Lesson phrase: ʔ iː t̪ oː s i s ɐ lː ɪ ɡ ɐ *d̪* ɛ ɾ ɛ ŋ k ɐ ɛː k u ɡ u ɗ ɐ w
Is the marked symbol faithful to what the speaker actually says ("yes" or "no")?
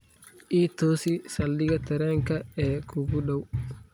no